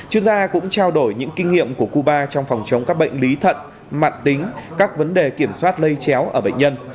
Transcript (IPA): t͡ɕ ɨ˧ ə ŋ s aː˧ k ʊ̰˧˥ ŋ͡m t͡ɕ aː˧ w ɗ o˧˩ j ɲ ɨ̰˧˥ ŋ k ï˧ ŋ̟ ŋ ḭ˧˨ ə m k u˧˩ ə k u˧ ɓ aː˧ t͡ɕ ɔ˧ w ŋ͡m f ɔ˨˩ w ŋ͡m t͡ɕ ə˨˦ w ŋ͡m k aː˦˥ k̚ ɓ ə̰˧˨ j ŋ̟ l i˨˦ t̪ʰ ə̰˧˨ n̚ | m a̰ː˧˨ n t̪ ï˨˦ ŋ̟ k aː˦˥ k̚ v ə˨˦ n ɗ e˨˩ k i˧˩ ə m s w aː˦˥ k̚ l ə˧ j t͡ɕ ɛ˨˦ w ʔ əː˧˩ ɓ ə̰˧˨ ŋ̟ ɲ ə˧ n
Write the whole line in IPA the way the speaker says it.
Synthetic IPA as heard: t͡ɕ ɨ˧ ə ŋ z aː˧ k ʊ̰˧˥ ŋ͡m t͡ɕ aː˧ w ɗ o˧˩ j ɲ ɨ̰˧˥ ŋ k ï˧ ŋ̟ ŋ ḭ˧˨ ə m k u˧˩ ə k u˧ ɓ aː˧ t͡ɕ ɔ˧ w ŋ͡m f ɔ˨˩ w ŋ͡m t͡ɕ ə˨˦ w ŋ͡m k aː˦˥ k̚ ɓ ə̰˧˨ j ŋ̟ l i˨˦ t̪ʰ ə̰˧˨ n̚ | m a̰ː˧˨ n t̪ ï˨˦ ŋ̟ k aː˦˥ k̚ v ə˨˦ n ɗ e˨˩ k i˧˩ ə m s w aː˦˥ t̚ l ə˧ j t͡ɕ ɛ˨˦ w ʔ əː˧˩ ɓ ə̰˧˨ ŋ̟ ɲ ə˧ n